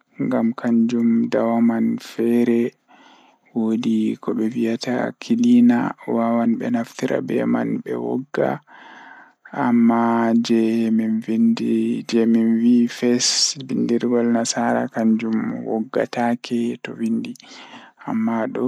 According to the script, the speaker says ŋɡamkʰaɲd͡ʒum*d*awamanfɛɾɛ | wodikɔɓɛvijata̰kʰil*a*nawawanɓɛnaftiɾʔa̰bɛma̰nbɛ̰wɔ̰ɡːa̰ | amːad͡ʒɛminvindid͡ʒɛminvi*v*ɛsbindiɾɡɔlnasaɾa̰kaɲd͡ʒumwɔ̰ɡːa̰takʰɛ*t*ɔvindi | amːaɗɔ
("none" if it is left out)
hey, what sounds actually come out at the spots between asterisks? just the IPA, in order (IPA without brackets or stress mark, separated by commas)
d, i, f, t